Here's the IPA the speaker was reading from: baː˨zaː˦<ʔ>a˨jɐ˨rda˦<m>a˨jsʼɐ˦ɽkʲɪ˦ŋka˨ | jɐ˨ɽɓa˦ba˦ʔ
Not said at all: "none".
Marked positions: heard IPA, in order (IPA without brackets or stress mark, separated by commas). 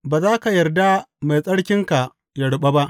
k, m